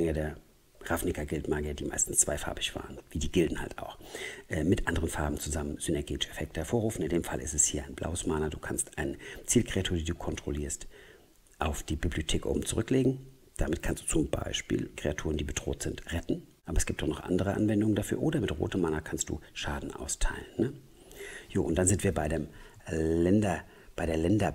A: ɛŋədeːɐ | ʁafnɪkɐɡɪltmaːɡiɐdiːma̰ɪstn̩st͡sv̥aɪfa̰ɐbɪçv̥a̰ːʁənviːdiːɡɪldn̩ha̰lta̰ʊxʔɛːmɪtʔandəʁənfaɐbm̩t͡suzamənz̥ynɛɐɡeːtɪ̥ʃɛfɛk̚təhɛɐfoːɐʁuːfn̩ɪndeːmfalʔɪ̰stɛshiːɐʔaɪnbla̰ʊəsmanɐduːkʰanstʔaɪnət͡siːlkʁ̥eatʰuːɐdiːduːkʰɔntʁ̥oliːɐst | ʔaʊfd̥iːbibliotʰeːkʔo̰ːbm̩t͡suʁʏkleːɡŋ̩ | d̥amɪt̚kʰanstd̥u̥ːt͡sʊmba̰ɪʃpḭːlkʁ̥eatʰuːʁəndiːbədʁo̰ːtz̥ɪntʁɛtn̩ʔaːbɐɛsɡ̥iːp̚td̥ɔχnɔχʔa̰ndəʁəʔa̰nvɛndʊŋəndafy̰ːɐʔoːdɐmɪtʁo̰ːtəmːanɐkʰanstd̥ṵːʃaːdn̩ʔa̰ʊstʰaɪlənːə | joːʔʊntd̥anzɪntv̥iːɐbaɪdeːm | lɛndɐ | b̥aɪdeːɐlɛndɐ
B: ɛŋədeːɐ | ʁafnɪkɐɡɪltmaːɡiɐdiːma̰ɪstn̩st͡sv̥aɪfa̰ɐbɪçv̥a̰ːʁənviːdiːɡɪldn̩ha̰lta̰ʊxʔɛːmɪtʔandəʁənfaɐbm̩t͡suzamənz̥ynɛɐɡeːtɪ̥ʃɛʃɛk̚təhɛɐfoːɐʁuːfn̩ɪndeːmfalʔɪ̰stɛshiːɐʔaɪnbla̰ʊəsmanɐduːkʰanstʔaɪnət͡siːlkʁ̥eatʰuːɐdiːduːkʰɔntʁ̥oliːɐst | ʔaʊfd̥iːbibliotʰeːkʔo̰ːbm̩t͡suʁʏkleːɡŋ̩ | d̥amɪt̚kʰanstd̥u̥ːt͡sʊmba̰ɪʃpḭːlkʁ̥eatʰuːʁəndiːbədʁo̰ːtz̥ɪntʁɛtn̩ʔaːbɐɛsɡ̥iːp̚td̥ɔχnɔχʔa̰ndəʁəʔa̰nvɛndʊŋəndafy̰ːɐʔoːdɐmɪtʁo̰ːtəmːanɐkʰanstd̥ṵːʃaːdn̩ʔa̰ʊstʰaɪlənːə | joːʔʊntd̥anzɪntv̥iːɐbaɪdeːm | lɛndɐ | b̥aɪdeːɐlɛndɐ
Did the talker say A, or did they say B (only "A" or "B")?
A